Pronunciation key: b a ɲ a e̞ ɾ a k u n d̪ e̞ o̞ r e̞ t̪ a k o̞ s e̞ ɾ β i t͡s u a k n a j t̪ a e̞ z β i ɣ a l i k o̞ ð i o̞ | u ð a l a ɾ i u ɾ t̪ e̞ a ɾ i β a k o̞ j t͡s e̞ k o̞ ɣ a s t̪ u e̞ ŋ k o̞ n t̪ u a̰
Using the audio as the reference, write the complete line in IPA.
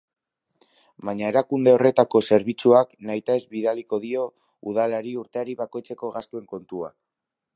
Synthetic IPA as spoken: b a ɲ a e̞ ɾ a k u n d̪ e̞ o̞ r e̞ t̪ a k o̞ s e̞ ɾ β i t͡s u a k n a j t̪ a e̞ z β i ð a l i k o̞ ð i o̞ | u ð a l a ɾ i u ɾ t̪ e̞ a ɾ i β a k o̞ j t͡s e̞ k o̞ ɣ a s t̪ u e̞ ŋ k o̞ n t̪ u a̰